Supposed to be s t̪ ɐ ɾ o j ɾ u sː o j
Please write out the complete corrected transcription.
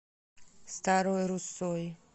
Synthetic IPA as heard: s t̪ a ɾ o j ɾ u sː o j